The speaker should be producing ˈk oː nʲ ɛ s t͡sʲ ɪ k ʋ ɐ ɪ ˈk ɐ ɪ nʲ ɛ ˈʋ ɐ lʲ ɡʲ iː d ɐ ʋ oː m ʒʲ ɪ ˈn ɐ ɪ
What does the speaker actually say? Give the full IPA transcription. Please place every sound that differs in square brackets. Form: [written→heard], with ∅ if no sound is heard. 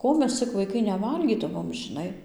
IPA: ˈk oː [nʲ→mʲ] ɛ s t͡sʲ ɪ k ʋ ɐ ɪ ˈk ɐ ɪ nʲ ɛ ˈʋ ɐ lʲ ɡʲ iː d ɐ ʋ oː m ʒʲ ɪ ˈn ɐ ɪ